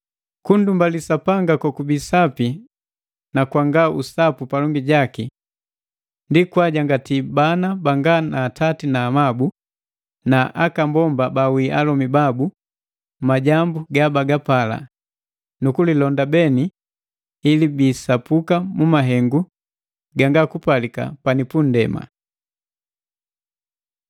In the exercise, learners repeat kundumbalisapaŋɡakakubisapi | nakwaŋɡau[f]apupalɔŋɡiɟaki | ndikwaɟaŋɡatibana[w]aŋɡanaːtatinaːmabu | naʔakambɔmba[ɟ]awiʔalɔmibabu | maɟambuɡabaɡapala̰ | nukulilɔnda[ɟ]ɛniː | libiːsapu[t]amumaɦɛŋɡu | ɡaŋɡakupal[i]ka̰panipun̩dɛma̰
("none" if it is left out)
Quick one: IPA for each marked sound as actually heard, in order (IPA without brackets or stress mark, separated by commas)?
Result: s, b, b, b, k, i